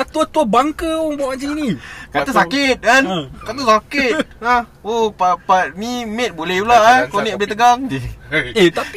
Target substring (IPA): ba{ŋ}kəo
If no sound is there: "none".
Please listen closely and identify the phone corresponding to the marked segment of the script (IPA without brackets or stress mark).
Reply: ŋ